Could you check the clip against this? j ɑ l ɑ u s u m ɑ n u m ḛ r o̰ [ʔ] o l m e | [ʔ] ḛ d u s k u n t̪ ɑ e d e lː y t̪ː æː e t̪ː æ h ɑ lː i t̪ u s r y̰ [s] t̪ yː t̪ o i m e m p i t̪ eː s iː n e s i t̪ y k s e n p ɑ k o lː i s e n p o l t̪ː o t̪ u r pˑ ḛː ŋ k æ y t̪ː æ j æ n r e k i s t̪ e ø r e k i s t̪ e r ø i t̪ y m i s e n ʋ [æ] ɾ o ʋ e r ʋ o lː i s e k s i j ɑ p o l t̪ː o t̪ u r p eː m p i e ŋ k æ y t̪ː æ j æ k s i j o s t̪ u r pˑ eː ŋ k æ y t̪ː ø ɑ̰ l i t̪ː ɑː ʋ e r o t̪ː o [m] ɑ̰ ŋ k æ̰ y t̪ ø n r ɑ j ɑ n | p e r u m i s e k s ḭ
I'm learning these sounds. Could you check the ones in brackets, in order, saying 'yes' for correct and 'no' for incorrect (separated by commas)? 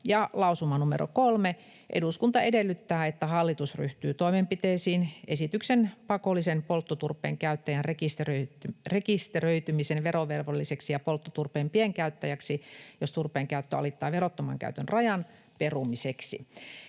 no, yes, no, no, yes